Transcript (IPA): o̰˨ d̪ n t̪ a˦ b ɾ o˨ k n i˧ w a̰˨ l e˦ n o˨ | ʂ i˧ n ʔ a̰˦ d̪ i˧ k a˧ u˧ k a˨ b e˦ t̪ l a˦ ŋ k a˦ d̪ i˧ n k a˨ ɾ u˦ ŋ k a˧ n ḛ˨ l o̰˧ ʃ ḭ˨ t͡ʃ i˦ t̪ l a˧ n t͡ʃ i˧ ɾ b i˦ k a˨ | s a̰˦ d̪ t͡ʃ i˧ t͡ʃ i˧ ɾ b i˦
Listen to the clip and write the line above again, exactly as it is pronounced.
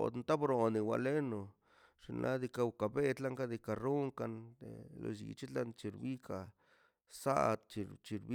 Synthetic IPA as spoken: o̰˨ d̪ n t̪ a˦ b ɾ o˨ n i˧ w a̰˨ l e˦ n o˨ | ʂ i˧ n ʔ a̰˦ d̪ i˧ k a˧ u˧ k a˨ b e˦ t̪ l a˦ ŋ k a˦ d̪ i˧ k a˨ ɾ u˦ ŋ k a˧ n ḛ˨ l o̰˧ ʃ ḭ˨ t͡ʃ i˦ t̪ l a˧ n t͡ʃ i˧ ɾ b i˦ k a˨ | s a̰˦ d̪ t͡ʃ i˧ t͡ʃ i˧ ɾ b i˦